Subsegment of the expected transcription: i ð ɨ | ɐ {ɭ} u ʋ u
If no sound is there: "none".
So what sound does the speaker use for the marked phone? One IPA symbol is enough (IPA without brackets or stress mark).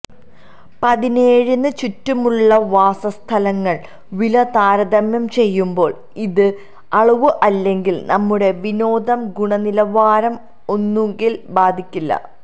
ɭ